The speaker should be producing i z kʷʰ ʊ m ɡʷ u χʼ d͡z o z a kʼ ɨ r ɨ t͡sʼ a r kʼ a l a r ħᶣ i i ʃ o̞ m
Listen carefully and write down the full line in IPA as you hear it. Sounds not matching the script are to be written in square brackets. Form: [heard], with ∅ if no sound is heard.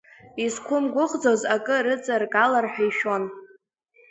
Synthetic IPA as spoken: i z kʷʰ ʊ m ɡʷ [ʊ] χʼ d͡z o z a kʼ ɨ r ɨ t͡sʼ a r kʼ a l a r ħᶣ [a] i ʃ o̞ [n]